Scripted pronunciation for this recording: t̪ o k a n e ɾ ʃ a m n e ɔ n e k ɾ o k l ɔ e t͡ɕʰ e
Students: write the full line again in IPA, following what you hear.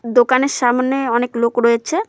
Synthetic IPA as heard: d̪ o k a n e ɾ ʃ a m n e ɔ n e k l o k ɾ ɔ e t͡ɕʰ e